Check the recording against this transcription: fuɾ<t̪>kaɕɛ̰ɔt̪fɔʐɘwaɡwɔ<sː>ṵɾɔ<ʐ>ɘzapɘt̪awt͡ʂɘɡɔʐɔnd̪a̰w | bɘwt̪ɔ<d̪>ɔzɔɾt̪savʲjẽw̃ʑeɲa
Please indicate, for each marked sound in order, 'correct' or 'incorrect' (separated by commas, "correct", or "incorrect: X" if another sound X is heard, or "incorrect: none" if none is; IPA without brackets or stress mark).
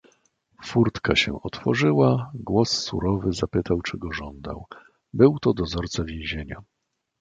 correct, correct, incorrect: v, correct